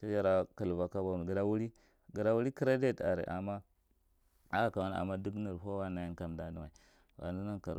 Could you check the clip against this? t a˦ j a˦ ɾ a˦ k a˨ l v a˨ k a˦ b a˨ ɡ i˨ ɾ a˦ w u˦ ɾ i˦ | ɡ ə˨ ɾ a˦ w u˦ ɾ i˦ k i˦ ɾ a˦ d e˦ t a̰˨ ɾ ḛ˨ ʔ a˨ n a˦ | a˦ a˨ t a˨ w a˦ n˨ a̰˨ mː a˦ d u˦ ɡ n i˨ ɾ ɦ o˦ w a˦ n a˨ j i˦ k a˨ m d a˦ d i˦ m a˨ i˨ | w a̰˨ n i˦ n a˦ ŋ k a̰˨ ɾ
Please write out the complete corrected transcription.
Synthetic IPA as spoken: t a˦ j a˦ ɾ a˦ k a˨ l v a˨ k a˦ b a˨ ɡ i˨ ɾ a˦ w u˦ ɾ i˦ | ɡ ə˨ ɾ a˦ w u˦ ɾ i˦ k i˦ ɾ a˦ d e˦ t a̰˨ ɾ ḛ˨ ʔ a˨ m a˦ | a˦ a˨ k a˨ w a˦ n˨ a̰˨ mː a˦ d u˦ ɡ n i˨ ɾ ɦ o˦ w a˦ n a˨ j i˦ k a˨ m d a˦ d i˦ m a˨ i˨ | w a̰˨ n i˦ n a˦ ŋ k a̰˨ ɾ